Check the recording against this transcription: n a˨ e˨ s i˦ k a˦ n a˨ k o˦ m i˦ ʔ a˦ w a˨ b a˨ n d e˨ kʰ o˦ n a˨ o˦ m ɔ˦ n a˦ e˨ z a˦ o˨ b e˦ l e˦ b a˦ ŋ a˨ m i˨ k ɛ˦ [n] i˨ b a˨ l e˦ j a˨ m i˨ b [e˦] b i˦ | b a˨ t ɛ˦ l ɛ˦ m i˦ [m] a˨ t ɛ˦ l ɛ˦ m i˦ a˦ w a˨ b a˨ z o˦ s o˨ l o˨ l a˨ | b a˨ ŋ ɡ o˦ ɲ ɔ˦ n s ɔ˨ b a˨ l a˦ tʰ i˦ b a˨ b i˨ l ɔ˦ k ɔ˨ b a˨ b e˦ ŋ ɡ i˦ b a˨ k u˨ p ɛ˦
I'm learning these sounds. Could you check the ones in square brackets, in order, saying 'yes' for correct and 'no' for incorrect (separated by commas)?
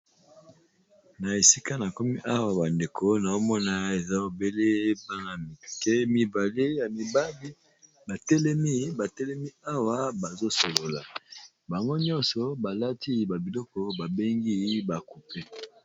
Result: no, no, no